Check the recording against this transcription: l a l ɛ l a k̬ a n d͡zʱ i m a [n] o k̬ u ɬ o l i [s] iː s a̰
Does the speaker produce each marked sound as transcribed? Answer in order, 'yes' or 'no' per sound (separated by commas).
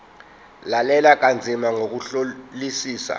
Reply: no, yes